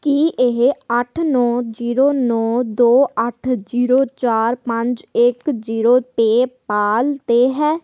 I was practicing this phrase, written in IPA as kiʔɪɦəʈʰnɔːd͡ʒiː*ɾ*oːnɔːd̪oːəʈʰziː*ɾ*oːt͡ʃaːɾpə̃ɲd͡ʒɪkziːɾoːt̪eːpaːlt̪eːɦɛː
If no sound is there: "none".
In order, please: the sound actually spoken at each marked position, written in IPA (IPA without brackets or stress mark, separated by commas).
ɾ, ɾ